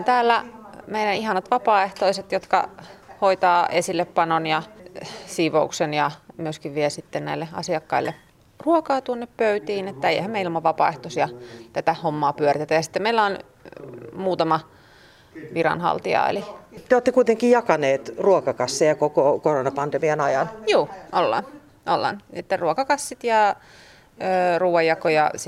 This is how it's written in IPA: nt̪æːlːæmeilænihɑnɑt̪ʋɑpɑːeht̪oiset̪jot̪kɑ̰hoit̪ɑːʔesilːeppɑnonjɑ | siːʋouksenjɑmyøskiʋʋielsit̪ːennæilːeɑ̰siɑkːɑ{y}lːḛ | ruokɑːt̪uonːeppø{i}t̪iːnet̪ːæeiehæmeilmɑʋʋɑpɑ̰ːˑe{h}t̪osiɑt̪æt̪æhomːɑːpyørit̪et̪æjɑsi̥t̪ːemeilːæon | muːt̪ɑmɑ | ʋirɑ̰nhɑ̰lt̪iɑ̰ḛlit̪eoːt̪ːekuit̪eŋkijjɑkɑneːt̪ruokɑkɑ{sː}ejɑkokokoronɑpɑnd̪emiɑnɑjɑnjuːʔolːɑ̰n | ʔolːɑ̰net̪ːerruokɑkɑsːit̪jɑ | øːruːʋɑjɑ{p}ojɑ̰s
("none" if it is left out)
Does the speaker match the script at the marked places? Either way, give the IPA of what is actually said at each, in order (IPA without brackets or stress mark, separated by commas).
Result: i, y, h, sː, k